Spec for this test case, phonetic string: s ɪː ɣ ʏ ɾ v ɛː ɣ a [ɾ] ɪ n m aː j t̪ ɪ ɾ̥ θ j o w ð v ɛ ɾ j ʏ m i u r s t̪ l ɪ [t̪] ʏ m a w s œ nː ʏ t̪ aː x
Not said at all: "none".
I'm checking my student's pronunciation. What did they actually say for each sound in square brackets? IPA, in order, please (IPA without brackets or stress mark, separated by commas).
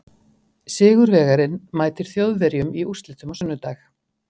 ɾ, t̪